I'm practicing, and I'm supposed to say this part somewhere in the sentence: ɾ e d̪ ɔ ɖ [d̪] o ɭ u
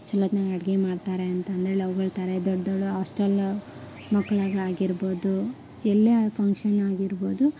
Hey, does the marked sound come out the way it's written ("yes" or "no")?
yes